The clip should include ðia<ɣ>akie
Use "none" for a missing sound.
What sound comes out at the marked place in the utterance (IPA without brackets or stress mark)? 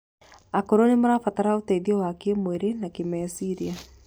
w